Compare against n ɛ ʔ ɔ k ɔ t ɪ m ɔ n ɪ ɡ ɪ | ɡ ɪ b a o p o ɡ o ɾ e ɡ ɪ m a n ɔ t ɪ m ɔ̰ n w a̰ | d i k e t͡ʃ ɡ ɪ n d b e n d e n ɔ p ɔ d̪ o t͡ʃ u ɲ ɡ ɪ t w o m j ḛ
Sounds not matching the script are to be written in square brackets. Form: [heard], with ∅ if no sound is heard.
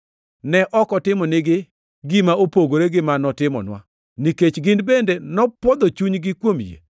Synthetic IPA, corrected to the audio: n ɛ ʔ ɔ k ɔ t ɪ m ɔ n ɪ ɡ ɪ | ɡ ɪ [m] a o p o ɡ o ɾ e ɡ ɪ m a n ɔ t ɪ m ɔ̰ n w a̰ | [n] i k e t͡ʃ ɡ ɪ n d b e n d e n ɔ p ɔ d̪ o t͡ʃ u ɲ ɡ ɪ [k] w o m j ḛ